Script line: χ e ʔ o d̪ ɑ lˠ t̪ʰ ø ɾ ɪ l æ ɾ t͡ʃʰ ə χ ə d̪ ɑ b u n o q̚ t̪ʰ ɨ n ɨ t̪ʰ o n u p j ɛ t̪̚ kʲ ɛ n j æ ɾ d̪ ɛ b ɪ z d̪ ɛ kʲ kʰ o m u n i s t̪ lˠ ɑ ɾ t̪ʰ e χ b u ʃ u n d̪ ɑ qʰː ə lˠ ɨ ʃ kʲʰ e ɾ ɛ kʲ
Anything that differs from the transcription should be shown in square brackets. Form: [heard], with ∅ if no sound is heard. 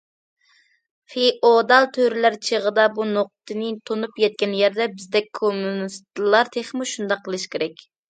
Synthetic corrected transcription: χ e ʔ o d̪ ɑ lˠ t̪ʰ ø ɾ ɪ l æ ɾ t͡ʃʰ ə [ʁ] ə d̪ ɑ b u n o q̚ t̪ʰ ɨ n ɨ t̪ʰ o n u p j ɛ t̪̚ kʲ ɛ n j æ ɾ d̪ ɛ b ɪ z d̪ ɛ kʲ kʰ o m u n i s t̪ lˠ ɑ ɾ t̪ʰ e χ [m] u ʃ u n d̪ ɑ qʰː ə lˠ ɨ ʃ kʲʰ e ɾ ɛ kʲ